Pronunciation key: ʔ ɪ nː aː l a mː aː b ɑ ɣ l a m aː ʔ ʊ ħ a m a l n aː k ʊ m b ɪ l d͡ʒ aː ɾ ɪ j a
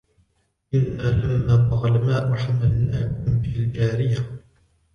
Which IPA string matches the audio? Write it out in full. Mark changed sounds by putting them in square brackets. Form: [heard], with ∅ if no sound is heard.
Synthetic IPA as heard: ʔ ɪ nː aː l a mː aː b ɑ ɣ l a m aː ʔ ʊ ħ a m a l n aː k ʊ m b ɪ l d͡ʒ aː ɾ ɪ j a